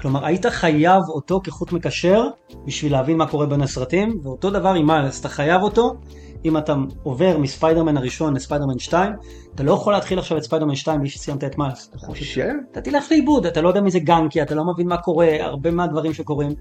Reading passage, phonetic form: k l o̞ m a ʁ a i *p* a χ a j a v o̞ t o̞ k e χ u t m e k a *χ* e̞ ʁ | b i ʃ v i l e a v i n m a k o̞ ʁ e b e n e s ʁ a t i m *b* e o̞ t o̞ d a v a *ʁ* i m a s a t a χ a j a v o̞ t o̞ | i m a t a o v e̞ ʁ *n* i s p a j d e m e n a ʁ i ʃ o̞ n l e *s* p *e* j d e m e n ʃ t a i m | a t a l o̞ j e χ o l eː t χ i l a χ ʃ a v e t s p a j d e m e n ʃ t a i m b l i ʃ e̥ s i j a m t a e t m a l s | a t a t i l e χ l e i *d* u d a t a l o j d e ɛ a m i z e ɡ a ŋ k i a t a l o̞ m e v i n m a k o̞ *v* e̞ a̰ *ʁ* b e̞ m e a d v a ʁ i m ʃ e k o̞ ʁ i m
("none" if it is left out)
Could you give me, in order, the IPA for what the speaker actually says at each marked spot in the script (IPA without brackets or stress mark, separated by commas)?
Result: t, ʃ, v, ʁ, m, s, a, b, ʁ, ʁ